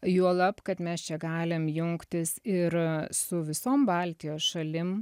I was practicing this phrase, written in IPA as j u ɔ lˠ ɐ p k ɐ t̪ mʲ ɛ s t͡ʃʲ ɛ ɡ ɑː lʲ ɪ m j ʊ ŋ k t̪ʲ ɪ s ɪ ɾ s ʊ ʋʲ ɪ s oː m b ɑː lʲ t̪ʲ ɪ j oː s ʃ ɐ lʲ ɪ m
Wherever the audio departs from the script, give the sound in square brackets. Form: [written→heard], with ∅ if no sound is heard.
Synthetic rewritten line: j u ɔ lˠ ɐ p k ɐ t̪ mʲ ɛ s t͡ʃʲ ɛ ɡ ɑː lʲ ɪ m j ʊ ŋ k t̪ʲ ɪ s ɪ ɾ s ʊ ʋʲ ɪ s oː m b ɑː lʲ t̪ʲ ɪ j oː s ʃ ɐ lʲ ɪ m